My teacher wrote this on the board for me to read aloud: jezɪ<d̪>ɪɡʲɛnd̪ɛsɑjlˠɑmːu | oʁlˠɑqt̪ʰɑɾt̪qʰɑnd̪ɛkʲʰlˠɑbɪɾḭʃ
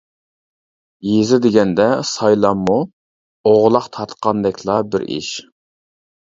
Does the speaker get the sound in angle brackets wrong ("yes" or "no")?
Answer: no